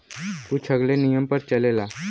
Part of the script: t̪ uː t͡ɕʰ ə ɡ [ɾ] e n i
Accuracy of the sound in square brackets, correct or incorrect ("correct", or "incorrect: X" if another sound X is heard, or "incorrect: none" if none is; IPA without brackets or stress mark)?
incorrect: l